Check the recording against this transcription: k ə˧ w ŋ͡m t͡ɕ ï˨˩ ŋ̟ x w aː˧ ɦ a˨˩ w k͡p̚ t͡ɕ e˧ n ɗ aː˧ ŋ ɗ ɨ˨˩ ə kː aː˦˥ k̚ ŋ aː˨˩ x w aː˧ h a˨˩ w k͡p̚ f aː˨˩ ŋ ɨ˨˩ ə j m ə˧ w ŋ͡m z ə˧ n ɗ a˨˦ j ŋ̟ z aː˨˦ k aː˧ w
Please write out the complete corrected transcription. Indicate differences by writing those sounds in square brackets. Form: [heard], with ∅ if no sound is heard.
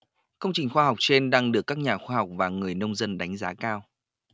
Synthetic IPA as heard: k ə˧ w ŋ͡m t͡ɕ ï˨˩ ŋ̟ x w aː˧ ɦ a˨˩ w k͡p̚ t͡ɕ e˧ n ɗ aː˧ ŋ ɗ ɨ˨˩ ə kː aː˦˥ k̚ [ɲ] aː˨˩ x w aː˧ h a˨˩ w k͡p̚ [v] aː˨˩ ŋ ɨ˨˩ ə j [n] ə˧ w ŋ͡m z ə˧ n ɗ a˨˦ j ŋ̟ z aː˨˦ k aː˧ w